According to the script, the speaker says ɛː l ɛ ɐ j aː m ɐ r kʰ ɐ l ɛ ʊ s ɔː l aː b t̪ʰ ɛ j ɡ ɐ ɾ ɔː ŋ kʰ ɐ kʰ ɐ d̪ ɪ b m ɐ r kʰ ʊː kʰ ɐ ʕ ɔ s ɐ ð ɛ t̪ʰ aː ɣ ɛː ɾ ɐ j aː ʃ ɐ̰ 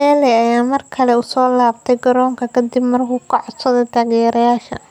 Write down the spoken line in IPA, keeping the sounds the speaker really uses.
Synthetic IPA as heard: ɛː l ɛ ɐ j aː m ɐ r kʰ ɐ l ɛ ʊ s ɔː l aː b t̪ʰ ɛ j ɡ ɐ ɾ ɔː ŋ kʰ ɐ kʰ ɐ d̪ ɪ b m ɐ r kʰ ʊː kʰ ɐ ʕ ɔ s ɐ ð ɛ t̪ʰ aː ɣ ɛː ɾ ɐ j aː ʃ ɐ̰